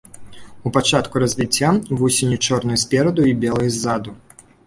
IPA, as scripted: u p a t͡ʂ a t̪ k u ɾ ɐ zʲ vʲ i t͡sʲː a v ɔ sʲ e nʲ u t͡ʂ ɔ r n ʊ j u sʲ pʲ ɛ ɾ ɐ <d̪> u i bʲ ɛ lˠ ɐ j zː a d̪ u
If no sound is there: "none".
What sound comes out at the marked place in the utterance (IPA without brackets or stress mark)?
d̪